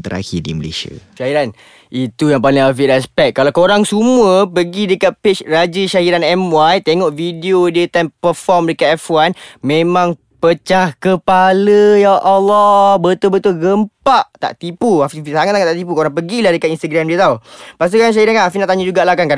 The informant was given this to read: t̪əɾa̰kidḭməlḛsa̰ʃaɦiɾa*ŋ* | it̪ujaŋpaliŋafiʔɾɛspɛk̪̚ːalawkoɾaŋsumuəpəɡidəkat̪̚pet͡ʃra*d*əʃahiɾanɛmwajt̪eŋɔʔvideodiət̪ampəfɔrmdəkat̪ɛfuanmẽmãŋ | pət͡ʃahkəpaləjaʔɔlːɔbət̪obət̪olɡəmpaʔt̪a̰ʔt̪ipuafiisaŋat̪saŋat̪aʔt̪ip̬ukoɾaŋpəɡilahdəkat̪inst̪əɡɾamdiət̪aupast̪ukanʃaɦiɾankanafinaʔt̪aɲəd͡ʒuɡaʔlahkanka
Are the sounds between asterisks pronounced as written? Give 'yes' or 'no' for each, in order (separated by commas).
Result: no, no